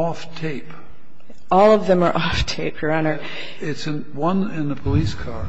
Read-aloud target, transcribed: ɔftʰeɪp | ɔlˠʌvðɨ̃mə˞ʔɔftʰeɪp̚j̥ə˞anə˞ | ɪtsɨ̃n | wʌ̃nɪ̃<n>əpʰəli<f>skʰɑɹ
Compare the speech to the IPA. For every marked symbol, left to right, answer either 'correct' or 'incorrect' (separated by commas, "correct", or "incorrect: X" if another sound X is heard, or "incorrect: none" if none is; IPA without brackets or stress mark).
correct, incorrect: none